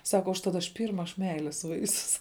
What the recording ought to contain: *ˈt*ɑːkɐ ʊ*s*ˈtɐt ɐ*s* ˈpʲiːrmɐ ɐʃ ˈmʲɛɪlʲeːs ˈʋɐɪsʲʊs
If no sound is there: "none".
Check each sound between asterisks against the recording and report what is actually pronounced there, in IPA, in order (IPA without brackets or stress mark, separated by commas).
s, ʃ, ʃ